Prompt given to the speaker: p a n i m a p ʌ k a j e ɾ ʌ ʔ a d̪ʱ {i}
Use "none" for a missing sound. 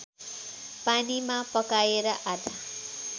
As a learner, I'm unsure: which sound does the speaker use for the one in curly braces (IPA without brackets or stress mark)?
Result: a